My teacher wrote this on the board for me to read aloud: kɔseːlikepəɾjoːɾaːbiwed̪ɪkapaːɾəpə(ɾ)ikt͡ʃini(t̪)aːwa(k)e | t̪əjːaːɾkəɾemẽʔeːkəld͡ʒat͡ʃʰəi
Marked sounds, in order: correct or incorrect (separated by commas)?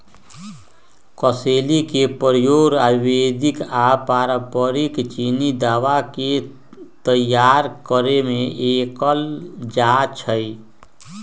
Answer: correct, incorrect, correct